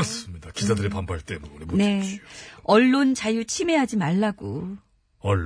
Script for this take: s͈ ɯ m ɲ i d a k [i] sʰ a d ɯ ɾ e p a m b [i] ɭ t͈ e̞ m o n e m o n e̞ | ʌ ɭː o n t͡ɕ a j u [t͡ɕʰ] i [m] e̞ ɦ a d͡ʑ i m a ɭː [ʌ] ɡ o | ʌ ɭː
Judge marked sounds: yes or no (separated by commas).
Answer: yes, no, yes, yes, no